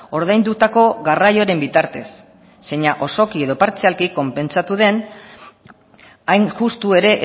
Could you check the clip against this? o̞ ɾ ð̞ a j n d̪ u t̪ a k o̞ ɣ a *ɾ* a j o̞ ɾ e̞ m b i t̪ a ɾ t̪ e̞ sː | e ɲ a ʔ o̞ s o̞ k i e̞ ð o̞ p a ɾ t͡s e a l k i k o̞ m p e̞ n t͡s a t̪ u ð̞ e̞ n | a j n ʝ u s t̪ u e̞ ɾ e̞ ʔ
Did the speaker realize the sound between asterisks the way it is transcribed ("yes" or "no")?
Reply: no